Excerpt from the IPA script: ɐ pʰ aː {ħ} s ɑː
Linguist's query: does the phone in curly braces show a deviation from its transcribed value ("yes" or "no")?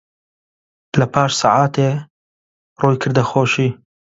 yes